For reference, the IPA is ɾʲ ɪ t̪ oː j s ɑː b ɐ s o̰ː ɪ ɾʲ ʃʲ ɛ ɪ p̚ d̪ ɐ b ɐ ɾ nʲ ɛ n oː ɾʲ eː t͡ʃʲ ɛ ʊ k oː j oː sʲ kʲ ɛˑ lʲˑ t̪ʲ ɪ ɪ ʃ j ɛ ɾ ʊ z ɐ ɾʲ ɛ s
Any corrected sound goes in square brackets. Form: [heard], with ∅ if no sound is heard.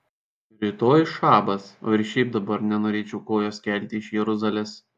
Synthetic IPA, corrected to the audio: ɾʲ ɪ t̪ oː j [ʃ] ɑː b ɐ s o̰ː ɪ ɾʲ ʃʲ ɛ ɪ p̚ d̪ ɐ b ɐ ɾ nʲ ɛ n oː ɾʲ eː t͡ʃʲ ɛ ʊ k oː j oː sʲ kʲ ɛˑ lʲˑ t̪ʲ ɪ ɪ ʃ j ɛ ɾ ʊ z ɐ [lʲ] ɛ s